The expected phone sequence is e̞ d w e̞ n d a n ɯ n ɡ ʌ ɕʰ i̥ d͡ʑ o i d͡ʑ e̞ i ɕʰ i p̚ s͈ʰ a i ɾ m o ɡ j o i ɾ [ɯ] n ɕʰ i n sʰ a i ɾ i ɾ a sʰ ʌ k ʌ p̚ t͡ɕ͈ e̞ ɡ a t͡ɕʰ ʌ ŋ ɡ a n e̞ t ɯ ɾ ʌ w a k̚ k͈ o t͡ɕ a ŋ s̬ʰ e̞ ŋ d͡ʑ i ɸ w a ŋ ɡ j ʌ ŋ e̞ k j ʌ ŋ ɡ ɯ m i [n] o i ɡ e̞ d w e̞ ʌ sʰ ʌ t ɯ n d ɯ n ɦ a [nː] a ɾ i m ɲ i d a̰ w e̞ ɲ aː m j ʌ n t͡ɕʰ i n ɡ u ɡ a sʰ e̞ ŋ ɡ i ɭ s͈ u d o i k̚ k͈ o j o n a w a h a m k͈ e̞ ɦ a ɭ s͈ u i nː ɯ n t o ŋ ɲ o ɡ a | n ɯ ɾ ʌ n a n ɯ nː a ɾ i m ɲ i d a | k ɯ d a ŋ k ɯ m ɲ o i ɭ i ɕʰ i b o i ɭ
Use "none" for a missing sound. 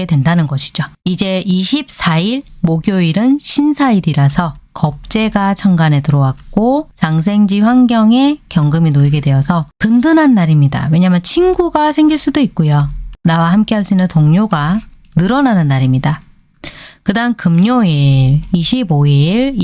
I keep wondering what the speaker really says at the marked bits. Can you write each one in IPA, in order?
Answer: ɯ, n, nː

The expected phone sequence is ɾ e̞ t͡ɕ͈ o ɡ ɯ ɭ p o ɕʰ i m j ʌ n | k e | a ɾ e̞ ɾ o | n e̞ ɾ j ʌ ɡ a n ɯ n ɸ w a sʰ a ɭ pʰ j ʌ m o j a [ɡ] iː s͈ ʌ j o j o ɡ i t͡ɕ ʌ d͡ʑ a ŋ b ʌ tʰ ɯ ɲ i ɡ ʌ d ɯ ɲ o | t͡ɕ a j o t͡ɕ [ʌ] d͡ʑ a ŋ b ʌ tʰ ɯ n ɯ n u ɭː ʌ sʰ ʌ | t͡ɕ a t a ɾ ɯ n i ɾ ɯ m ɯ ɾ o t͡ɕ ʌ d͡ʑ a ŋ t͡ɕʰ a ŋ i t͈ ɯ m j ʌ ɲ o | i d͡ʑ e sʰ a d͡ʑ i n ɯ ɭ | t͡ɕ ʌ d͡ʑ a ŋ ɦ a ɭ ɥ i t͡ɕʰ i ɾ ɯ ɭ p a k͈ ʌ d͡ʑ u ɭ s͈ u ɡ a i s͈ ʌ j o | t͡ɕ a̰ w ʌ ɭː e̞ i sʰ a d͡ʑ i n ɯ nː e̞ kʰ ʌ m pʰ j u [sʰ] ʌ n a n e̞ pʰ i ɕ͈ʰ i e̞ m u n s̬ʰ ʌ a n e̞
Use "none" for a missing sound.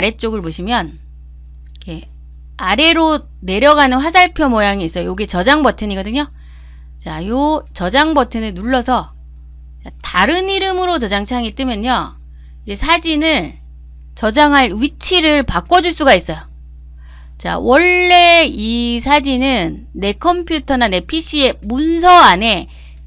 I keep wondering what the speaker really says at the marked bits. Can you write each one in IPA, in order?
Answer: ŋ, ʌ, tʰ

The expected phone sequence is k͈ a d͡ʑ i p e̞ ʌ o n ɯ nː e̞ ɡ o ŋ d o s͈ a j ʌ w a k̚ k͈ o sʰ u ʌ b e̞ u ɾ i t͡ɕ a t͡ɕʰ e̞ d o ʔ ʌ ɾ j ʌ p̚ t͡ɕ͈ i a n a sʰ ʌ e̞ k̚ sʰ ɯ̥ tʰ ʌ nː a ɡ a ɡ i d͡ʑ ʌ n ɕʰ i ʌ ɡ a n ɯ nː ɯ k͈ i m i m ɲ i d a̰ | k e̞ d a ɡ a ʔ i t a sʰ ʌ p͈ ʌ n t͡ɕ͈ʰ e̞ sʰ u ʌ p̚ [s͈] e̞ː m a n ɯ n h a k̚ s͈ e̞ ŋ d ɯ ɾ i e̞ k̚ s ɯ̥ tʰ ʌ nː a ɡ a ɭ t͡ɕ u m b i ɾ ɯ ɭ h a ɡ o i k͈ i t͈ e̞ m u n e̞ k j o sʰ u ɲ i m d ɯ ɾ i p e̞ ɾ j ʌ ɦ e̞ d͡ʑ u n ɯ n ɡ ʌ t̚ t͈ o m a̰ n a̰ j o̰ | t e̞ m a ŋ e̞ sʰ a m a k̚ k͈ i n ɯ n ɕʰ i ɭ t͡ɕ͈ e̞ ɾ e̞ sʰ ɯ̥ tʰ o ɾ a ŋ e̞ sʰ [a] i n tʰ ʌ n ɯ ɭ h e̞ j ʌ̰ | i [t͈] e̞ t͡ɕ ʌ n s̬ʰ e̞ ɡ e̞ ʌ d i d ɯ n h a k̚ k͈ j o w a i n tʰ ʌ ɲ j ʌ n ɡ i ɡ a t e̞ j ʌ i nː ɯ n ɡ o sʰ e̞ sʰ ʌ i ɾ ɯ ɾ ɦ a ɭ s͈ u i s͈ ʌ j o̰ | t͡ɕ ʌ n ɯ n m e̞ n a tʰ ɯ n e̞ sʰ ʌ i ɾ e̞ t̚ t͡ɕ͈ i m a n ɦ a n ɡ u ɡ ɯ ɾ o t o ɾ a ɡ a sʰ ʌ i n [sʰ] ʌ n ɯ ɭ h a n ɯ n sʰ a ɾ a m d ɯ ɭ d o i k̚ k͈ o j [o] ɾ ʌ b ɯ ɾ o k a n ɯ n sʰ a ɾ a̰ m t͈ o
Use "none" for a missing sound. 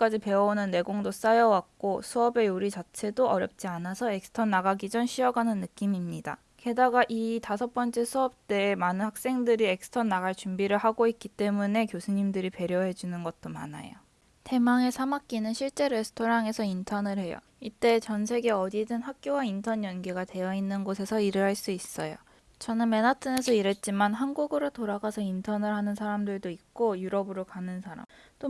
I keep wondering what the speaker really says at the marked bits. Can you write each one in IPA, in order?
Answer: t͈, ʌ, t͈, tʰ, u

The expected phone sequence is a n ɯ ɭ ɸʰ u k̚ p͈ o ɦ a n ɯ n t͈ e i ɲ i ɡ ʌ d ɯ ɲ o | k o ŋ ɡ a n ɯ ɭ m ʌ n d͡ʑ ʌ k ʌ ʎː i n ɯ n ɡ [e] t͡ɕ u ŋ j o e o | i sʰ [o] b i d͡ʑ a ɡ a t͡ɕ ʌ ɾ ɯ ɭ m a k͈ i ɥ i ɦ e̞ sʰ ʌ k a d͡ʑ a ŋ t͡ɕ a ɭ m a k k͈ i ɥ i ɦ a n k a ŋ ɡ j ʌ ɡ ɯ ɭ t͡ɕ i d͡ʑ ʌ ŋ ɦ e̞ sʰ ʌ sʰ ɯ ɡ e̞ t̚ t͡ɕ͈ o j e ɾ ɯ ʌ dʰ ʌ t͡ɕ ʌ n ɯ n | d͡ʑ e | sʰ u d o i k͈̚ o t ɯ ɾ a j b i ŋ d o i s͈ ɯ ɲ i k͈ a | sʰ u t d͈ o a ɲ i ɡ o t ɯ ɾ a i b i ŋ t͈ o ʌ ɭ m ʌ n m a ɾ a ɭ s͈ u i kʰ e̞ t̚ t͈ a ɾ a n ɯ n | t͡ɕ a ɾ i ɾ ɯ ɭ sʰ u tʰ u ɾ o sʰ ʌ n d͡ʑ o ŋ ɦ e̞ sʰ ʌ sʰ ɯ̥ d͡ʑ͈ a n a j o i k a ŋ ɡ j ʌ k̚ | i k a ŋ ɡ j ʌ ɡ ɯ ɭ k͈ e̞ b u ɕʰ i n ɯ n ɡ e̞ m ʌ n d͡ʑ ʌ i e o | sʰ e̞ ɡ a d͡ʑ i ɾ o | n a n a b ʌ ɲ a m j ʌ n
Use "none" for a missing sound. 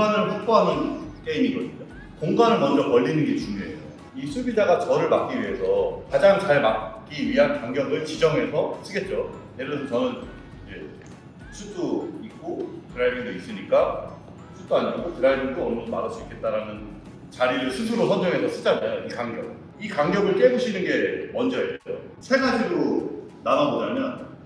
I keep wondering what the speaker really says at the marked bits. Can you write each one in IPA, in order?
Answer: e, u

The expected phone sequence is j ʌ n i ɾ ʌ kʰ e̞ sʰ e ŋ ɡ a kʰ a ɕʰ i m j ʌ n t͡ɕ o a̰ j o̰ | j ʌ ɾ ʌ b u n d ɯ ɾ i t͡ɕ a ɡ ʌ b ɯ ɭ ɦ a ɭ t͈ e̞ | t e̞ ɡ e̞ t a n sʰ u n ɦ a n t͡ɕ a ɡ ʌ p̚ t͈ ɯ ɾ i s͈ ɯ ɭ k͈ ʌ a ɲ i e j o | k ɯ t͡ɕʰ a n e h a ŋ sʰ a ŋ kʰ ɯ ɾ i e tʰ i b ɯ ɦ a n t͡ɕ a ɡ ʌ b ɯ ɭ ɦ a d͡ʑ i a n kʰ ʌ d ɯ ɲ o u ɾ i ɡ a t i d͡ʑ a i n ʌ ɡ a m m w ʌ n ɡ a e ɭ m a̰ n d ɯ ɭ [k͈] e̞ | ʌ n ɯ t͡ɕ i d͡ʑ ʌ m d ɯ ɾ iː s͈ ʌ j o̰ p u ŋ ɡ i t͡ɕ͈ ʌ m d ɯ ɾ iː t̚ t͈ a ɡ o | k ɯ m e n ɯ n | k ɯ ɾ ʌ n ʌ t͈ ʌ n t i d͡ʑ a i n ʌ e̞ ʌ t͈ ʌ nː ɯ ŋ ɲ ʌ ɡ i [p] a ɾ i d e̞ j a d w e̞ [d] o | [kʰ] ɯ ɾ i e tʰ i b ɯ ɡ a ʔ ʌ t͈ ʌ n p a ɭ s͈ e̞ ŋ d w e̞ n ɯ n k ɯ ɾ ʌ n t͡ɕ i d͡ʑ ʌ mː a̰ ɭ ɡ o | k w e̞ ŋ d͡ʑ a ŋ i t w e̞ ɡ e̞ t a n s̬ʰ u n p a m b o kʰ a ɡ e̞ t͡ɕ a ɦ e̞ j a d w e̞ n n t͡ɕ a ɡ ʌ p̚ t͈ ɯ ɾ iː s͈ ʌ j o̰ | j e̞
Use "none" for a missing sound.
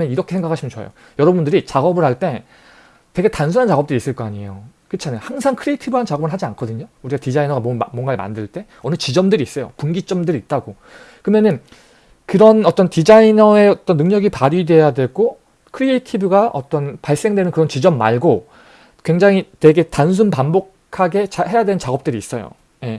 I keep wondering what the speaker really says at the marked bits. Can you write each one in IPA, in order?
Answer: t͈, p, ɡ, kʰ

